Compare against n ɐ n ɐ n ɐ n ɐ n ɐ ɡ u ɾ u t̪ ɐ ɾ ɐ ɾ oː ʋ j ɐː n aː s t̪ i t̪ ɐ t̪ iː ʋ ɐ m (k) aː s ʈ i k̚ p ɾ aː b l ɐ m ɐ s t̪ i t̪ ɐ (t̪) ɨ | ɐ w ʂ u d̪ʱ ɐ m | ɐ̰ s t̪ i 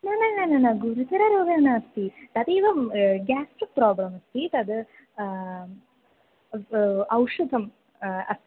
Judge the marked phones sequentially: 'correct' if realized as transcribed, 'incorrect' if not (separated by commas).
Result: incorrect, incorrect